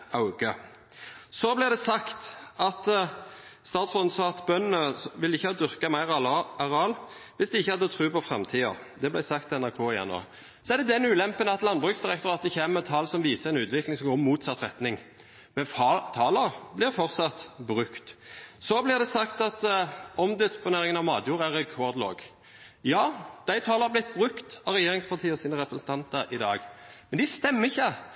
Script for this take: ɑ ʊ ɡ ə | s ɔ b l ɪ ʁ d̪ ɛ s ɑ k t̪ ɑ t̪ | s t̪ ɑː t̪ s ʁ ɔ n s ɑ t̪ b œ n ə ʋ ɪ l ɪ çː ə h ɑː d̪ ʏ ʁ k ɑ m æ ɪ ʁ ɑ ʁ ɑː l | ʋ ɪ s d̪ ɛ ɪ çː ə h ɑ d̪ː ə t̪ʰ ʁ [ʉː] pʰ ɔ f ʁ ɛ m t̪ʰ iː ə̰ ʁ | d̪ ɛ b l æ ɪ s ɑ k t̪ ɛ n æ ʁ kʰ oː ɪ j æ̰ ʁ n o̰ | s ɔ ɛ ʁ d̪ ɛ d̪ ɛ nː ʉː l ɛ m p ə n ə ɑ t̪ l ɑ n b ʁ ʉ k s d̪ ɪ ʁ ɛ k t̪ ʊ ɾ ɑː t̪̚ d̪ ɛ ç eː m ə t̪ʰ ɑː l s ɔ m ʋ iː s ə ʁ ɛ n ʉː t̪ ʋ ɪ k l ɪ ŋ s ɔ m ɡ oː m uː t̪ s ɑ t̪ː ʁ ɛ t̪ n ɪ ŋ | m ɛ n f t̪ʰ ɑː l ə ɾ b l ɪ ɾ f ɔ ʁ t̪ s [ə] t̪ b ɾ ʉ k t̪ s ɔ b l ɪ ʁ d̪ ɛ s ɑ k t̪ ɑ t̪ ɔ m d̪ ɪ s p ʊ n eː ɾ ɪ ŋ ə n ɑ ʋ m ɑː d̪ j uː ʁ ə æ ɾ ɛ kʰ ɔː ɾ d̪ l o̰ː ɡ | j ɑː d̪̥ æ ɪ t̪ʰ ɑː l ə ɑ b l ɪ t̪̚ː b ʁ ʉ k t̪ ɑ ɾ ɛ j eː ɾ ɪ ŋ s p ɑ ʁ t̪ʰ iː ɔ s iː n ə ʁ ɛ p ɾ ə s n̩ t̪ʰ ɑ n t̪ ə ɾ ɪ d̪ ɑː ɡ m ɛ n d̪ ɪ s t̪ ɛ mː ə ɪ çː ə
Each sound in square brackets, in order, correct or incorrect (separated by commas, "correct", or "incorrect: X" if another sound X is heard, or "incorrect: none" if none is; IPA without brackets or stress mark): correct, incorrect: ɑ